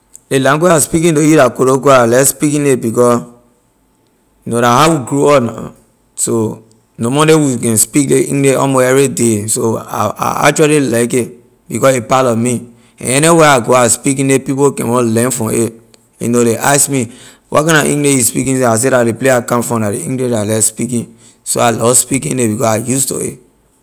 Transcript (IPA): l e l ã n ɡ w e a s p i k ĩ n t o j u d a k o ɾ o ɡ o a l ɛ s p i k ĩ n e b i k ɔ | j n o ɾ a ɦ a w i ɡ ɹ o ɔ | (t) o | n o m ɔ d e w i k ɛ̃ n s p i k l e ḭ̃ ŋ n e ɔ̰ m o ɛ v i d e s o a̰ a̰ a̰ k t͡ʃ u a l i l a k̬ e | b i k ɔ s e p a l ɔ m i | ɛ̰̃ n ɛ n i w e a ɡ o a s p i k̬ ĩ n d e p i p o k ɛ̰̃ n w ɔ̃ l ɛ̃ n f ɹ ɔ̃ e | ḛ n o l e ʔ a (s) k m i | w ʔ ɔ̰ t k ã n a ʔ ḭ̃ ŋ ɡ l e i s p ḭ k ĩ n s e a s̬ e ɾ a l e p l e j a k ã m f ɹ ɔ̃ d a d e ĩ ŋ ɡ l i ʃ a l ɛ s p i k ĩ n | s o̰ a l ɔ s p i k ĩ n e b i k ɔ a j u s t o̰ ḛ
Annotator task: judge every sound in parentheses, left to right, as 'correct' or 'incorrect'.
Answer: incorrect, correct

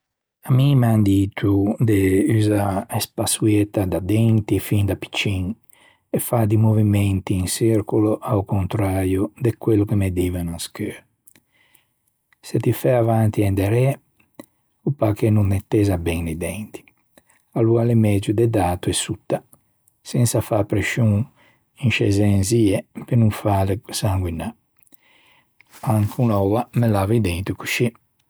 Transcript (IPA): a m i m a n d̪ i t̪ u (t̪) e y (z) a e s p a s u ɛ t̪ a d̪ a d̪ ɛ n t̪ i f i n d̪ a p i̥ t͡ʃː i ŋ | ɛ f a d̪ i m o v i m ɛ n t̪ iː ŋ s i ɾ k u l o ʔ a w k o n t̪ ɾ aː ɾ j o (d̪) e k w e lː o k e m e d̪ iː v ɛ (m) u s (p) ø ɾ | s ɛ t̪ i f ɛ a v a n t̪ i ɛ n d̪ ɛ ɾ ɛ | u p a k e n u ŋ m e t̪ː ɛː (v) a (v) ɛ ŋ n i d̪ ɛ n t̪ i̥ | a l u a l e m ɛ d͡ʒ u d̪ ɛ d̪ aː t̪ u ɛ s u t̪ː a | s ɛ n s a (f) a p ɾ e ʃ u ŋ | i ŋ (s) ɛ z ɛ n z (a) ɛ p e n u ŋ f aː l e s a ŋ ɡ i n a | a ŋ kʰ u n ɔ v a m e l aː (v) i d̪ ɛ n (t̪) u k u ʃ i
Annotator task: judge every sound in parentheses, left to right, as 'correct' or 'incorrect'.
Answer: incorrect, correct, correct, incorrect, incorrect, incorrect, incorrect, correct, incorrect, incorrect, correct, correct

